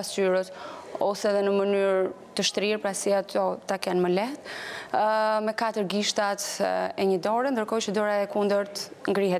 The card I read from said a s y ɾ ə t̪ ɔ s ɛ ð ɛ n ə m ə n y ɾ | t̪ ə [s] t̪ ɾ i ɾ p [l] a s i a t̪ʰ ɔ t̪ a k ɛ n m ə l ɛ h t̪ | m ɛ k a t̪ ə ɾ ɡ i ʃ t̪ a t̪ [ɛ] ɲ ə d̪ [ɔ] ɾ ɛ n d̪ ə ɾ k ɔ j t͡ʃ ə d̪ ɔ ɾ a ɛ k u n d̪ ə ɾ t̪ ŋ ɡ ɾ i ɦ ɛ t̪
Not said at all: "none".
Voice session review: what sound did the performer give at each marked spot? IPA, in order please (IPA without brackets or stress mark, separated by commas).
ʃ, ɾ, ɛ, ɔ